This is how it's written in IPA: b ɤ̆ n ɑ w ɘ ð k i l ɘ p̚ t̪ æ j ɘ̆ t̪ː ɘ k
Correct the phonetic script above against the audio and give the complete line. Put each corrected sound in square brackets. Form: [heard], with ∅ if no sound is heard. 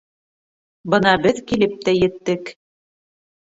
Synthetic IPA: b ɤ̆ n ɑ [b] ɘ ð k i l ɘ p̚ t̪ æ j ɘ̆ t̪ː ɘ k